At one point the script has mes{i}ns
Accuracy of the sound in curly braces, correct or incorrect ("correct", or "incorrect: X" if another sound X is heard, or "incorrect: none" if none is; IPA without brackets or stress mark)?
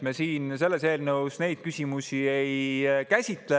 incorrect: iː